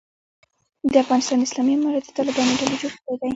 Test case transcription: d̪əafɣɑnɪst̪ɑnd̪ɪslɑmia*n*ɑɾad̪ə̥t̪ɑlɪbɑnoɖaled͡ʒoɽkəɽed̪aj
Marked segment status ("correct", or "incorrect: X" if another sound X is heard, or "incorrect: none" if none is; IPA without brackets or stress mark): incorrect: m